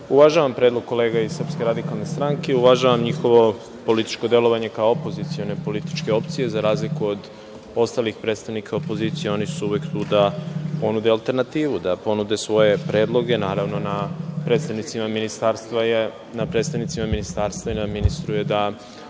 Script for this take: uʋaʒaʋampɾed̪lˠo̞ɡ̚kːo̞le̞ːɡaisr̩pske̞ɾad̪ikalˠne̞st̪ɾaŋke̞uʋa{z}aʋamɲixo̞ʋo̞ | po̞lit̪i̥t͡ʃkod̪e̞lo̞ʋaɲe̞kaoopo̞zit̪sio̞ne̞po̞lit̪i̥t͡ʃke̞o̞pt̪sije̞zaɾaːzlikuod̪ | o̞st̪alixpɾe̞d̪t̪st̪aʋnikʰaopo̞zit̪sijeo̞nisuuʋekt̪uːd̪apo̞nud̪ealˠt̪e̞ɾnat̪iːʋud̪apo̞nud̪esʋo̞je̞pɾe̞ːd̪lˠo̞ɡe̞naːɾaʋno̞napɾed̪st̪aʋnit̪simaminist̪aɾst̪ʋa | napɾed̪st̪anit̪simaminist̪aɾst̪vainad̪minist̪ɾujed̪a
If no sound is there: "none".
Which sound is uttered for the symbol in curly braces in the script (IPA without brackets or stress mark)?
ʒ